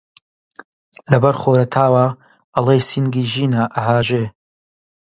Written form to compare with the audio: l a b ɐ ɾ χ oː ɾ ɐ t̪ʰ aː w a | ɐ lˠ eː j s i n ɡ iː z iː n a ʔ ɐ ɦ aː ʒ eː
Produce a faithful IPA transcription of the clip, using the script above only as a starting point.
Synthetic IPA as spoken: l ɐ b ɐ ɾ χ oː ɾ ɐ t̪ʰ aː w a | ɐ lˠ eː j s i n ɡ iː ʒ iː n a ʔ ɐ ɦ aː ʒ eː